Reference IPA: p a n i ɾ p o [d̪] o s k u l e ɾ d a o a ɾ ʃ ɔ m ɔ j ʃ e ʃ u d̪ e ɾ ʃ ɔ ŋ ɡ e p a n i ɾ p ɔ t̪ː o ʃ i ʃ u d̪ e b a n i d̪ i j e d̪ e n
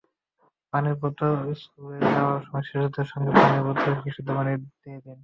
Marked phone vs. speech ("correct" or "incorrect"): incorrect